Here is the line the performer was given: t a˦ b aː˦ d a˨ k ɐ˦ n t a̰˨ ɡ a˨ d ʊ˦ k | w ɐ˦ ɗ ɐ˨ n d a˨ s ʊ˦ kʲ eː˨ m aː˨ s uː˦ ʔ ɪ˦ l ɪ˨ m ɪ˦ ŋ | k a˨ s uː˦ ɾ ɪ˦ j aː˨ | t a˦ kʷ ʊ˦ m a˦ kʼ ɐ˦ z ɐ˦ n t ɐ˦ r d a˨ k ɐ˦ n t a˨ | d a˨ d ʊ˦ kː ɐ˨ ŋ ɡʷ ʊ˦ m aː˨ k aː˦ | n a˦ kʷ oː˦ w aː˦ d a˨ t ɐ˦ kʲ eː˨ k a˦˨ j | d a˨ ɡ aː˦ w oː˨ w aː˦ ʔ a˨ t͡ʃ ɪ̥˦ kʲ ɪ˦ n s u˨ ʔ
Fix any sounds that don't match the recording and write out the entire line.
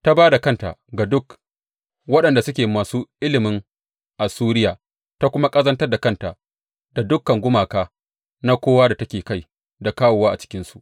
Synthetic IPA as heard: t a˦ b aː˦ d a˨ k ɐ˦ n t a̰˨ ɡ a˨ d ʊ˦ k | w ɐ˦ ɗ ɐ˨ n d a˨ s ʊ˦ kʲ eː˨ m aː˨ s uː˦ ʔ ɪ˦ l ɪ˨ m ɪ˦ ŋ | ʔ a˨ s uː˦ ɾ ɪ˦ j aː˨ | t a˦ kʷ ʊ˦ m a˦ kʼ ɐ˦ z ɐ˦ n t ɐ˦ r d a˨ k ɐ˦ n t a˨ | d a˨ d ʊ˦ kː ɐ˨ ŋ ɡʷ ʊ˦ m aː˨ k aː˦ | n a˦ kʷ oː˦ w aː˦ d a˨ t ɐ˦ kʲ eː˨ k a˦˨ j | d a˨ k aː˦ w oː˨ w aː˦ ʔ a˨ t͡ʃ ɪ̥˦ kʲ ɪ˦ n s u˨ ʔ